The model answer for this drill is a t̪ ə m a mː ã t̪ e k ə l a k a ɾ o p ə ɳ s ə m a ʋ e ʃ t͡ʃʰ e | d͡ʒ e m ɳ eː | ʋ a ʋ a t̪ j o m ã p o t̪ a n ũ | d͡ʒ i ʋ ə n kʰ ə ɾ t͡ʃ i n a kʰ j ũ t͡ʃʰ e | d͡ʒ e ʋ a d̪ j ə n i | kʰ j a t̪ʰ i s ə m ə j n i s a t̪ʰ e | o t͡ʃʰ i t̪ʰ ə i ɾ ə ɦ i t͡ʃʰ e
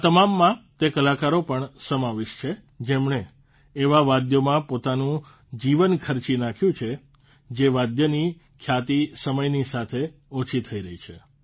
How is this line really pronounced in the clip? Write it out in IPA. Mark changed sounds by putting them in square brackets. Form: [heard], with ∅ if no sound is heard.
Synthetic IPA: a t̪ ə m a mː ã t̪ e k ə l a k a ɾ o p ə ɳ s ə m a ʋ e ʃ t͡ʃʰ e | d͡ʒ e m ɳ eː | ʋ a ʋ a [d̪] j o m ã p o t̪ a n ũ | d͡ʒ i ʋ ə n kʰ ə ɾ t͡ʃ i n a kʰ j ũ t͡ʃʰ e | d͡ʒ e ʋ a d̪ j ə n i | kʰ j a [t̪] i s ə m ə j n i s a t̪ʰ e | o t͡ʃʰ i t̪ʰ ə i ɾ ə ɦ i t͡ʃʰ e